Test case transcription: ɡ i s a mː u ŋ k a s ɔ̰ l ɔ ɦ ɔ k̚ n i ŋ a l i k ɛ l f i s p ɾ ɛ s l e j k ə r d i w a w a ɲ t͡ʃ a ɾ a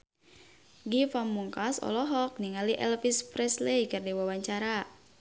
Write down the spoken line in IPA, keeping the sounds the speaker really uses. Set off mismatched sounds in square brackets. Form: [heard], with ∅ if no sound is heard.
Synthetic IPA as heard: ɡ i [f] a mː u ŋ k a s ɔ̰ l ɔ ɦ ɔ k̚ n i ŋ a l i [ʔ] ɛ l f i s p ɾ ɛ s l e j k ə r d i w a w a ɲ t͡ʃ a ɾ a